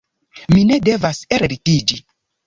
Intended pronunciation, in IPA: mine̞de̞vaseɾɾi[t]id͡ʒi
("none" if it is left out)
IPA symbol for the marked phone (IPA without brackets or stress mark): t